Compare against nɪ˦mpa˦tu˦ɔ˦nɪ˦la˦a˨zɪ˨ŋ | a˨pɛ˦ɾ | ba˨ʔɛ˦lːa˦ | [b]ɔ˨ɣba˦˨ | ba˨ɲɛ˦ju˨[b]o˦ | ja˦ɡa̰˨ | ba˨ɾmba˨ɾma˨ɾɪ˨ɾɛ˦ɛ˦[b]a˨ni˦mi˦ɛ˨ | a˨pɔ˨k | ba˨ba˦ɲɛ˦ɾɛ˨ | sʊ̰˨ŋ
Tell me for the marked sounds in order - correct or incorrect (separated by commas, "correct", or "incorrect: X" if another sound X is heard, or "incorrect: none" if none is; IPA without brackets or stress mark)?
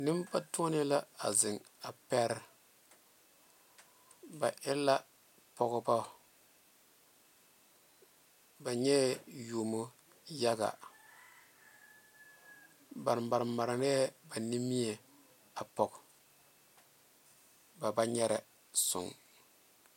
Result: incorrect: p, incorrect: m, correct